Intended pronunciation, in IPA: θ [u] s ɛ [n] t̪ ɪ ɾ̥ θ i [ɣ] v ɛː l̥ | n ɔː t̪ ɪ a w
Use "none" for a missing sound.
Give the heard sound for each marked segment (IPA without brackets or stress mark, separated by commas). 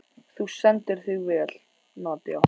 u, n, ɣ